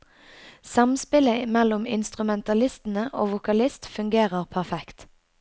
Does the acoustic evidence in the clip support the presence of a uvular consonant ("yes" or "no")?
yes